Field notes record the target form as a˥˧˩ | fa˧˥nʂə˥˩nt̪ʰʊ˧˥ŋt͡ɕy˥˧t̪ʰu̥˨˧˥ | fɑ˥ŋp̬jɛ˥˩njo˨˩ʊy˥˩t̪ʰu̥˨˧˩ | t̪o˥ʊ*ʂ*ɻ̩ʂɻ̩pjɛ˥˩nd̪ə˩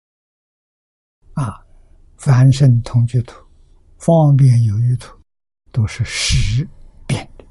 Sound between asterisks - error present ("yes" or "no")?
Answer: no